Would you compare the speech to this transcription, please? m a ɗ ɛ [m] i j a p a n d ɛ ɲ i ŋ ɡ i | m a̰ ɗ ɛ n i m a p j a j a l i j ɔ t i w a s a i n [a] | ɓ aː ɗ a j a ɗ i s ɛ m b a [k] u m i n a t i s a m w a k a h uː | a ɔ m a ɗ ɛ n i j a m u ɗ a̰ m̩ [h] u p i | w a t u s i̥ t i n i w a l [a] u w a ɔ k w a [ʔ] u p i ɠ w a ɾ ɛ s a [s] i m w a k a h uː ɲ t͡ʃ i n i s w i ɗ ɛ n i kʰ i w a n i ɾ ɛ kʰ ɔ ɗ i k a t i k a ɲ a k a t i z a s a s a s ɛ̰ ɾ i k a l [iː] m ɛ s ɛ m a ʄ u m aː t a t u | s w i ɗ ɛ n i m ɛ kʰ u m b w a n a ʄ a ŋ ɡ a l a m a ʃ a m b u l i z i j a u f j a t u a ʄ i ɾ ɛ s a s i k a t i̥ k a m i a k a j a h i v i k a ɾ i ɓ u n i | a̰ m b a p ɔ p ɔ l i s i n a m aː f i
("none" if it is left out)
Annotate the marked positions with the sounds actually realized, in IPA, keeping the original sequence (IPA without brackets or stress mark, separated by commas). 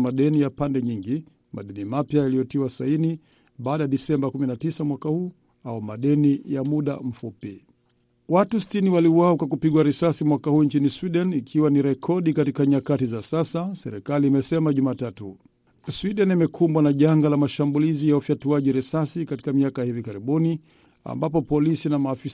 n, i, k, f, i, k, s, iː